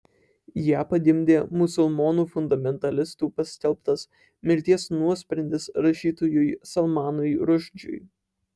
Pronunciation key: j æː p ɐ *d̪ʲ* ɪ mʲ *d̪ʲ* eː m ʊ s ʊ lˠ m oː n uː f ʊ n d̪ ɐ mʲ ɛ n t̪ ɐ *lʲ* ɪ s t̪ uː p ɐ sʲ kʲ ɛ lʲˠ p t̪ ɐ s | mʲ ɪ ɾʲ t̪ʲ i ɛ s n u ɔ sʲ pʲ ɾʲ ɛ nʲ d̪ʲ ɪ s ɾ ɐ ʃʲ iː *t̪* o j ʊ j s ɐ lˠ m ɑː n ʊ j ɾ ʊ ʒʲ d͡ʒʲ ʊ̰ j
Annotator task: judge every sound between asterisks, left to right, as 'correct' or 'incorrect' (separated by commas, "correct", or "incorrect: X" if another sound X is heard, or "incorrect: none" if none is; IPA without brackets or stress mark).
correct, correct, correct, correct